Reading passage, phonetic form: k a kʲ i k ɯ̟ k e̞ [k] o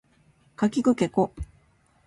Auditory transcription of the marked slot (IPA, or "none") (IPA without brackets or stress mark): k